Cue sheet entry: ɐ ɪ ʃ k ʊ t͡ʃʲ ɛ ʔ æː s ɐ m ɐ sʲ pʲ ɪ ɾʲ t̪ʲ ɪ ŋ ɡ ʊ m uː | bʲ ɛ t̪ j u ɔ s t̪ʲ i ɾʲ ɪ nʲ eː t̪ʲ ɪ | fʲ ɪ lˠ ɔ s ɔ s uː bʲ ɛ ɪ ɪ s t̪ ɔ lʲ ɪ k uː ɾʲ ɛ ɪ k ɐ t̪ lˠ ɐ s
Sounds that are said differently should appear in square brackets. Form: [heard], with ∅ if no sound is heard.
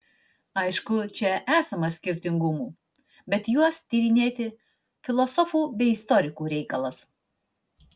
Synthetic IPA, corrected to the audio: ɐ ɪ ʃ k ʊ t͡ʃʲ ɛ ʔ æː s ɐ m ɐ sʲ [kʲ] ɪ ɾʲ t̪ʲ ɪ ŋ ɡ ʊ m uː | bʲ ɛ t̪ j u ɔ s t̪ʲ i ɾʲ ɪ nʲ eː t̪ʲ ɪ | fʲ ɪ lˠ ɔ s ɔ [f] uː bʲ ɛ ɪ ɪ s t̪ ɔ [ɾʲ] ɪ k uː ɾʲ ɛ ɪ k ɐ [∅] lˠ ɐ s